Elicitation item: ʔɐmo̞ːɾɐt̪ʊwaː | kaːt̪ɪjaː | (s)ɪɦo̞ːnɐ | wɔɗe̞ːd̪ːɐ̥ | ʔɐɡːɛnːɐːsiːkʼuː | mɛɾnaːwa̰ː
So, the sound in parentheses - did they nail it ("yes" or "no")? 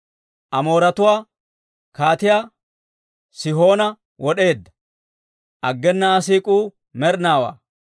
yes